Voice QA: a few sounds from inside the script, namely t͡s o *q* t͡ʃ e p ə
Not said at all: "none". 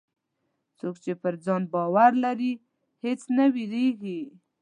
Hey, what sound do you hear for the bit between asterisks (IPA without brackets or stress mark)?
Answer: k